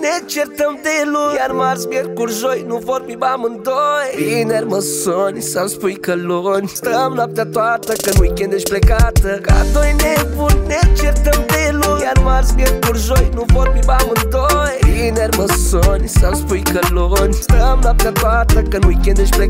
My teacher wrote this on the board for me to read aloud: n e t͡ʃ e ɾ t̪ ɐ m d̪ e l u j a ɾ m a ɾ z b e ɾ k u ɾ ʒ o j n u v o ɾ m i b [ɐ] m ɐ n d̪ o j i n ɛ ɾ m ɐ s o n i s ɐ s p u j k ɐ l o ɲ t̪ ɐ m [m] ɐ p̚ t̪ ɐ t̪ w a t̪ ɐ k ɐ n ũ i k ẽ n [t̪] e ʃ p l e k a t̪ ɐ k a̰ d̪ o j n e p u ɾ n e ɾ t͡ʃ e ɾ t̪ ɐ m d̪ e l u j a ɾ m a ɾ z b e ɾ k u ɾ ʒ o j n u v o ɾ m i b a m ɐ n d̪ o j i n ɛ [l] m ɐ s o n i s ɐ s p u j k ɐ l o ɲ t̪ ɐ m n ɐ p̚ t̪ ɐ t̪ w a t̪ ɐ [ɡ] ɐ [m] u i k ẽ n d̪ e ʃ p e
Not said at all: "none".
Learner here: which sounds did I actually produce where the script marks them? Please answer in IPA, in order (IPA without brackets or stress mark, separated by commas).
a, n, d̪, ɾ, k, n